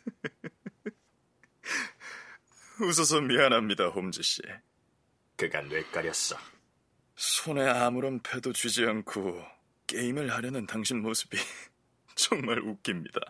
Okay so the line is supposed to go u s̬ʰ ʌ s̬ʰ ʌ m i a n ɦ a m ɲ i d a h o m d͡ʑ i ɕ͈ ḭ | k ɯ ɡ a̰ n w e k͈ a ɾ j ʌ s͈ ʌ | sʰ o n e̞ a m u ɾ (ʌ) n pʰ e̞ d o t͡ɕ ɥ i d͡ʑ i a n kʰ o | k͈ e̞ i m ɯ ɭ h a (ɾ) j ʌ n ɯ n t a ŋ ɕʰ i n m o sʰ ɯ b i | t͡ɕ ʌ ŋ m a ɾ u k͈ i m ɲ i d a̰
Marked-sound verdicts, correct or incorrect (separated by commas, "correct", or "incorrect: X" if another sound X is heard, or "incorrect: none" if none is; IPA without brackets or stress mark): correct, correct